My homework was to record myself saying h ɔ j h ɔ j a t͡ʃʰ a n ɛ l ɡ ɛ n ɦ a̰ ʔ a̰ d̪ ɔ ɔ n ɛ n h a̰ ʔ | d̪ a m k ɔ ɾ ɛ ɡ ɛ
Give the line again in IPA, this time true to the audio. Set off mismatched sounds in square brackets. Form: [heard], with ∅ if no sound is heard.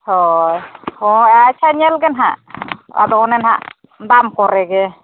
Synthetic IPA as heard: h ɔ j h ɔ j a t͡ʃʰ a [ɲ] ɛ l ɡ ɛ n ɦ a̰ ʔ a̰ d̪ ɔ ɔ n ɛ n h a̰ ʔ | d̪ a m k ɔ ɾ ɛ ɡ ɛ